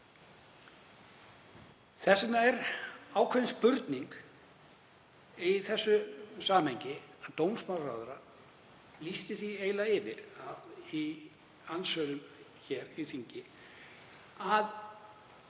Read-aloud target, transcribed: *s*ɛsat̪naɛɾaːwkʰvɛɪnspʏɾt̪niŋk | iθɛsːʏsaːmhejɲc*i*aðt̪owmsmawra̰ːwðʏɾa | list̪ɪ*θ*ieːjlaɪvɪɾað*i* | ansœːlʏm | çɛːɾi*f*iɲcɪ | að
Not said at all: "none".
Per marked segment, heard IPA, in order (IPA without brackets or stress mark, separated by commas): θ, ɪ, θ, i, θ